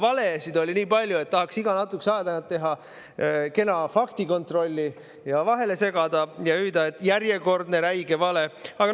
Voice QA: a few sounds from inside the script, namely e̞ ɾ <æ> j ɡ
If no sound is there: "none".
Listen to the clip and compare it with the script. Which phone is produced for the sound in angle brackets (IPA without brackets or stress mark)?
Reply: æ